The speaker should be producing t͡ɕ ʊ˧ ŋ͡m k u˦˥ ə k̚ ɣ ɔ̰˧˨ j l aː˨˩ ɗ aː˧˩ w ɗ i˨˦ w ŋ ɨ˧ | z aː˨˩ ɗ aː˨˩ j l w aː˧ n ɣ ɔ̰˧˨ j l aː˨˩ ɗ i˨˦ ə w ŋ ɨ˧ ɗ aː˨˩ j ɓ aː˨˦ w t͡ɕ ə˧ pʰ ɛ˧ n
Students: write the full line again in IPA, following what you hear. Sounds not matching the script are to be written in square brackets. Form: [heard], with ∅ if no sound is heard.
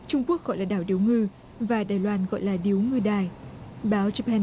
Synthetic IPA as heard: t͡ɕ ʊ˧ ŋ͡m k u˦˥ ə k̚ ɣ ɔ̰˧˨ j l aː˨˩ ɗ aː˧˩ w ɗ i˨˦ w ŋ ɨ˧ | [v] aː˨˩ ɗ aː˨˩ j l w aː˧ n ɣ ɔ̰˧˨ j l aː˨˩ ɗ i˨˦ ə w ŋ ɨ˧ ɗ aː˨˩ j ɓ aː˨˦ w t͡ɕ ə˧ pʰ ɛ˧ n